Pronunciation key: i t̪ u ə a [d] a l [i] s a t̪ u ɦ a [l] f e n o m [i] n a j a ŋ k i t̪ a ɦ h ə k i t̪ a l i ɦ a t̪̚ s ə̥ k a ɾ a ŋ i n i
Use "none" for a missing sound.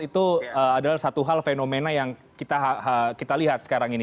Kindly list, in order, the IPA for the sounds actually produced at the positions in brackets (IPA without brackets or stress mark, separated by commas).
d, a, l, e